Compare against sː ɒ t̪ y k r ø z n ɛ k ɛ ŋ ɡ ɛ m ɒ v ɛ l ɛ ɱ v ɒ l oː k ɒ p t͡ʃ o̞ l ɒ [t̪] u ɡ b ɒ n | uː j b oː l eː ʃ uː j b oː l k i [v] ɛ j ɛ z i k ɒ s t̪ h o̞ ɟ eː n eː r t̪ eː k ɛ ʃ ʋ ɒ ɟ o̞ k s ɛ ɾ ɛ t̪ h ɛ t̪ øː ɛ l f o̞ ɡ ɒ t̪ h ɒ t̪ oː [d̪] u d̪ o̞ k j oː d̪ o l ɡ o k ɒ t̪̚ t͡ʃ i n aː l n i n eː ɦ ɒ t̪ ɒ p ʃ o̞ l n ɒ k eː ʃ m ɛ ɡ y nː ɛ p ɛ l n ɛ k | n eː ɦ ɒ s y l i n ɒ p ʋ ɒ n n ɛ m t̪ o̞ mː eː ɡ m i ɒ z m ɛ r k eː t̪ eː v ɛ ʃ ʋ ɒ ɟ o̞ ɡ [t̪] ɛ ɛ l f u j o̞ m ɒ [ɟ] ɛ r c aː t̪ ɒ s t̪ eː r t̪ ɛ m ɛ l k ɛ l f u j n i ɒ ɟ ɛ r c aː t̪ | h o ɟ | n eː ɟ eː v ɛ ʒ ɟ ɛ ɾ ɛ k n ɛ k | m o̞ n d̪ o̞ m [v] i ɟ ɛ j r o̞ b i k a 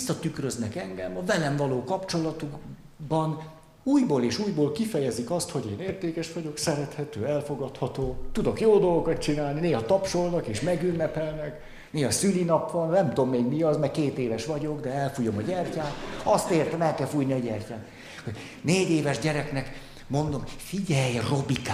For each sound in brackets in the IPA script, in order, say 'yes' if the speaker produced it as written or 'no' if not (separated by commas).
yes, no, no, no, yes, no